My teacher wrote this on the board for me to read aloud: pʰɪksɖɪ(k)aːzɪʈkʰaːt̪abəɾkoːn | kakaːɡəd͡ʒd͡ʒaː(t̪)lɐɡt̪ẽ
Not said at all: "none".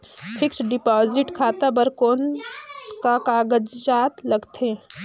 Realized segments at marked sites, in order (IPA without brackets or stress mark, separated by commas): p, t̪